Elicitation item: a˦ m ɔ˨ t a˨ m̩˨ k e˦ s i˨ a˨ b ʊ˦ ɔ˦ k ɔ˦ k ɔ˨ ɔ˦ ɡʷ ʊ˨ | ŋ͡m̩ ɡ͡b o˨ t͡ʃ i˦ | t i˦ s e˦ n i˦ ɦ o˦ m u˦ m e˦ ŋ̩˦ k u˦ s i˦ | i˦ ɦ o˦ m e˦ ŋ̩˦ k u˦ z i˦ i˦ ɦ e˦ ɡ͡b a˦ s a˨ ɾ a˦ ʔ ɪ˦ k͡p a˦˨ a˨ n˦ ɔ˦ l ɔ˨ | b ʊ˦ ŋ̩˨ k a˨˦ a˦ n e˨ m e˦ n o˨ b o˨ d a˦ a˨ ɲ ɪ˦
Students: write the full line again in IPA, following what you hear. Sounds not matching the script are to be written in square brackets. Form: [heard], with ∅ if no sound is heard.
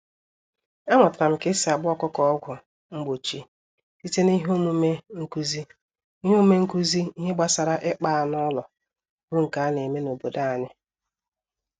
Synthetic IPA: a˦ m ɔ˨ t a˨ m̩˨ k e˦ s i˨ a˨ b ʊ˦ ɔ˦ k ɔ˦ k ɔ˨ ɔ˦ ɡʷ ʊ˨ | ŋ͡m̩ ɡ͡b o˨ t͡ʃ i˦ | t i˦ [t] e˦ n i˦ ɦ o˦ m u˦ m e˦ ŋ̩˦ k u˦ [z] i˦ | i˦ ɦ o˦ m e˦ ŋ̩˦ k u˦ z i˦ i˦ ɦ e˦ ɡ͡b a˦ s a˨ ɾ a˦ ʔ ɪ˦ k͡p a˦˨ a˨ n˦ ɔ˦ l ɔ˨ | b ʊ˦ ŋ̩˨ k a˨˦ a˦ n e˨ m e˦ n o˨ b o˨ d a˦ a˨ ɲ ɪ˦